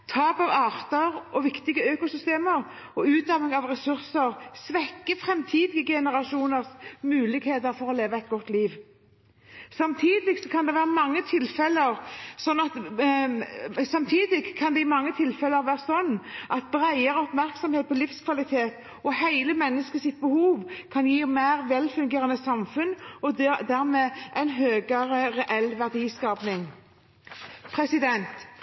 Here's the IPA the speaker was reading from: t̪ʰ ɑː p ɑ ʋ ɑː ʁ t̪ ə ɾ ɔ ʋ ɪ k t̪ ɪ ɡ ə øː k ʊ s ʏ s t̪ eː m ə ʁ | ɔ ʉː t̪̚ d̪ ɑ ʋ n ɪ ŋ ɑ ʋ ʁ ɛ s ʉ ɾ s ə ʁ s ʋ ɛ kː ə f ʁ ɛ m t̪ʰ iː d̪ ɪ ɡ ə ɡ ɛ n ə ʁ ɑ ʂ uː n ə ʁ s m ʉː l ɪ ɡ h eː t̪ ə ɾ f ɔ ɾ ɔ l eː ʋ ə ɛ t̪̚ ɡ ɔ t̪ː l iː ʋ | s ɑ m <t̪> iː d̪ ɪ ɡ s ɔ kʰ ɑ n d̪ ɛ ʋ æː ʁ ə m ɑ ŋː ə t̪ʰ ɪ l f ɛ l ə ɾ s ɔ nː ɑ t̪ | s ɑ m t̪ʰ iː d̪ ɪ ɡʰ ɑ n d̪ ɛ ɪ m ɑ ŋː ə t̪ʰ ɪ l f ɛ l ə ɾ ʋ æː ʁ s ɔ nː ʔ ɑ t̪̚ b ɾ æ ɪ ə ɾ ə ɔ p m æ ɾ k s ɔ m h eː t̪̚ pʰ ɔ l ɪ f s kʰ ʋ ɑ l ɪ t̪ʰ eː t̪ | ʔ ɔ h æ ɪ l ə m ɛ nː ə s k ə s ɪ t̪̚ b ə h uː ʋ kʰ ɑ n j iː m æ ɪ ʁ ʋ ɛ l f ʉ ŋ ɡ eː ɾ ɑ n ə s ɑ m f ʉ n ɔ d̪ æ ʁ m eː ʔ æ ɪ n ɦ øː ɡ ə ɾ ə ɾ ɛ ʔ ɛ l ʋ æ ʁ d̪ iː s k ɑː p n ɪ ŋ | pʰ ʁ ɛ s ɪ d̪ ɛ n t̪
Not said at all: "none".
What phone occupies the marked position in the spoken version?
t̪ʰ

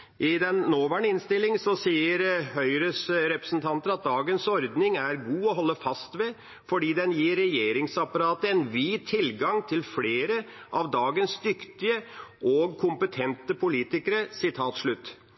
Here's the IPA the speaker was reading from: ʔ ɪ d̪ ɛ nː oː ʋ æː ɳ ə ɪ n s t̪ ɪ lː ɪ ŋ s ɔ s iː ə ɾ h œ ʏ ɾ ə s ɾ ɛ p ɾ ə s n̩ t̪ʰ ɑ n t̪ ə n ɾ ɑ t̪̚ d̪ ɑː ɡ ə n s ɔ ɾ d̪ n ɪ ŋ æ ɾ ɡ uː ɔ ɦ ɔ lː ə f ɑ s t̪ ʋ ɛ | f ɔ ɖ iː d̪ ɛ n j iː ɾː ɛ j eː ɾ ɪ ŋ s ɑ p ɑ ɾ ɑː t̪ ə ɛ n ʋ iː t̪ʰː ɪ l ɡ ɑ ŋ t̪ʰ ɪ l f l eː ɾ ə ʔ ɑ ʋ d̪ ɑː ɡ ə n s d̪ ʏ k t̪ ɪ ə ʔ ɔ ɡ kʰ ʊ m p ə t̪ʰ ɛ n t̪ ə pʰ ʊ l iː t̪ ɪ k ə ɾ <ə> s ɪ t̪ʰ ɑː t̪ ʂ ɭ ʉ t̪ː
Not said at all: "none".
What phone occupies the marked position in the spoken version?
ə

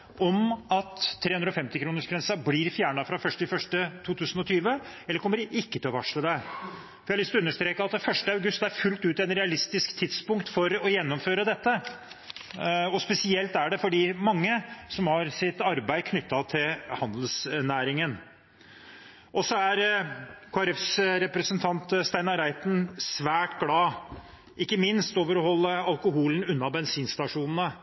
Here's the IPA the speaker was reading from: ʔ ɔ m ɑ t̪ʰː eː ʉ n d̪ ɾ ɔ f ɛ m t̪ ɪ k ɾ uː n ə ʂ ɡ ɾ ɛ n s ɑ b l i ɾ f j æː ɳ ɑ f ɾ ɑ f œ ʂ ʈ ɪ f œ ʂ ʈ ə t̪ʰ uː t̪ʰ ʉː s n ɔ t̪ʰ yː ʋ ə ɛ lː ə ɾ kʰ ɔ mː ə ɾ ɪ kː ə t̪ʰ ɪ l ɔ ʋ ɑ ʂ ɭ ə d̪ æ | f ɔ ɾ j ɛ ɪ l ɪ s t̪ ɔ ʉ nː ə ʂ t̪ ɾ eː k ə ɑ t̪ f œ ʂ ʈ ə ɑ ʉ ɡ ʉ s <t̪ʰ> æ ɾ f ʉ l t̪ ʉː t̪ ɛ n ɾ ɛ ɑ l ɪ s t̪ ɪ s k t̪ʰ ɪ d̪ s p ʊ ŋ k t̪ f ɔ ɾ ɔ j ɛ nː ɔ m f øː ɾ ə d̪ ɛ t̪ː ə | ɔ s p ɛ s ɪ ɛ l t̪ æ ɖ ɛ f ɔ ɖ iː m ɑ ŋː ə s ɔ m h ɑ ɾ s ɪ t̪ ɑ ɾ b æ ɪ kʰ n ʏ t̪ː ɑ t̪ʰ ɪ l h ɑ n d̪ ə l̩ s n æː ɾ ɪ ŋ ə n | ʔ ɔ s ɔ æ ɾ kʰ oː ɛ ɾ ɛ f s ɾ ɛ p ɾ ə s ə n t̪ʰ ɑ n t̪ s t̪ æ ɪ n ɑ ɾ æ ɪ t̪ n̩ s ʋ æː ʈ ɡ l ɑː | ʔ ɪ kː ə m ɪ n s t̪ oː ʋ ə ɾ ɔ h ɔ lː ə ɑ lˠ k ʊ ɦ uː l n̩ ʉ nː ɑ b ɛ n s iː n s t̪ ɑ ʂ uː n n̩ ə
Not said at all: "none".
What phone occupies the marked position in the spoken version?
t̪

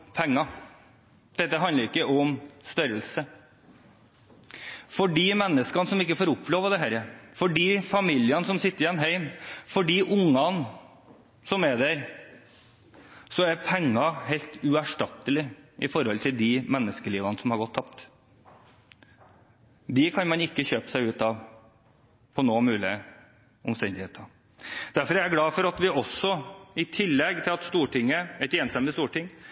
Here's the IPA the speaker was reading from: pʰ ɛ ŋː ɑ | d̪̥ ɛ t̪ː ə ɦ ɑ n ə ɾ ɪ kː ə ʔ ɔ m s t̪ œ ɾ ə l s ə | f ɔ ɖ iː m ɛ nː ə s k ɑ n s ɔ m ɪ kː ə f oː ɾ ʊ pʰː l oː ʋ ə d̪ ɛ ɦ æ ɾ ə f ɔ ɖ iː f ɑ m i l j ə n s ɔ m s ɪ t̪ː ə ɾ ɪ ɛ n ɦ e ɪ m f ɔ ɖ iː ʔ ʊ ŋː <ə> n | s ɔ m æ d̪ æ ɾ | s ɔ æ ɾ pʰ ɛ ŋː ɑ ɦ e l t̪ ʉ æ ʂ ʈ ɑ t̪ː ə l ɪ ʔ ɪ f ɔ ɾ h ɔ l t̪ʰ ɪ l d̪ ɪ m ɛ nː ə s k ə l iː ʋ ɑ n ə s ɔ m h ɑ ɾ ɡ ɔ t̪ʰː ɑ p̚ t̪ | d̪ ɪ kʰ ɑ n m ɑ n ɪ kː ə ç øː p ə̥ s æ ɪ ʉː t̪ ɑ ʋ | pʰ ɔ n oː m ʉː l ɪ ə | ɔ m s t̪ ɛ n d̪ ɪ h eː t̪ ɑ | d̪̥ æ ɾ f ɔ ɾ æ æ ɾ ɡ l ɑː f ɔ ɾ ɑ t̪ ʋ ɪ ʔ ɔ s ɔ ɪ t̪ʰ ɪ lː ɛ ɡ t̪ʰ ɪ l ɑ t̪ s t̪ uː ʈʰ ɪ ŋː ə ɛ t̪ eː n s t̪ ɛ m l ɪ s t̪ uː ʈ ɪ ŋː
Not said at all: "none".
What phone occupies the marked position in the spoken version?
ɑ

